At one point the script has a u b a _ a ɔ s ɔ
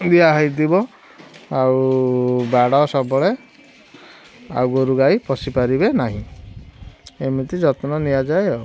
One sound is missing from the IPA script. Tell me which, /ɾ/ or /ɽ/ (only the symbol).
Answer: ɽ